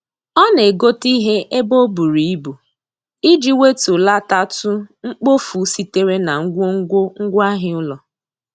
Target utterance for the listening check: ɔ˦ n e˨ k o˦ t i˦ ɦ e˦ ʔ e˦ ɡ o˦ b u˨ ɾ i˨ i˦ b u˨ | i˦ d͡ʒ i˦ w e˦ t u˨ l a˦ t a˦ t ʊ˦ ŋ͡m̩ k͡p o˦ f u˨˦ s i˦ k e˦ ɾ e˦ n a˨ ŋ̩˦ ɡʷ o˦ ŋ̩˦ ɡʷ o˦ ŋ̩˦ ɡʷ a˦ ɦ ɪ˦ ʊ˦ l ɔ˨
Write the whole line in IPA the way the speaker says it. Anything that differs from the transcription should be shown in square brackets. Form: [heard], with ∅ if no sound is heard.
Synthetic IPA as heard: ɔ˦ n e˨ [ɡ] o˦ t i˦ ɦ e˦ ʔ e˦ [b] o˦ b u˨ ɾ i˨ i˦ b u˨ | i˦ d͡ʒ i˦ w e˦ t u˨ l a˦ t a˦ t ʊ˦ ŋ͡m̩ k͡p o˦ f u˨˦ s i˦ [t] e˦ ɾ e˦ n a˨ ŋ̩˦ ɡʷ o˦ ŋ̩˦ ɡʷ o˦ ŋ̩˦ ɡʷ a˦ ɦ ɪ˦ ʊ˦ l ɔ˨